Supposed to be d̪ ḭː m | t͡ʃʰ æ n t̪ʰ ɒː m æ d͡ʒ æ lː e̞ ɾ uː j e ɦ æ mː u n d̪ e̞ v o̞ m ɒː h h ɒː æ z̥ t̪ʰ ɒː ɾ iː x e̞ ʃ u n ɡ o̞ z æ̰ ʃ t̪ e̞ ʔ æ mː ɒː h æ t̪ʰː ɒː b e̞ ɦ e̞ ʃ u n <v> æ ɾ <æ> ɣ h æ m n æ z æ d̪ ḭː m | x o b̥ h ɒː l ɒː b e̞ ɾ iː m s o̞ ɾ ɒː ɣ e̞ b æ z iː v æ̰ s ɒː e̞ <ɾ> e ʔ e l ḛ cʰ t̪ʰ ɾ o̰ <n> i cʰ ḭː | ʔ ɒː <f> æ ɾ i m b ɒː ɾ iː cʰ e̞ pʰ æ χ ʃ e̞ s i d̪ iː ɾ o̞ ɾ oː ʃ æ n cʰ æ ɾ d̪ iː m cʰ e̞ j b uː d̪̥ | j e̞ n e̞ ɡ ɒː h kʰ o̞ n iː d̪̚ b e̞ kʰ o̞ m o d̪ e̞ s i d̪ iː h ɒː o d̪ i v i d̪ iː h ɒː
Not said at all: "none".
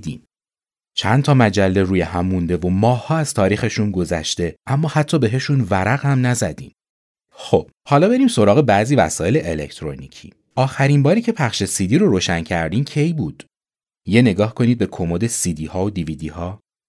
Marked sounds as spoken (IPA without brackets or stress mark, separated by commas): v, æ, l, n, x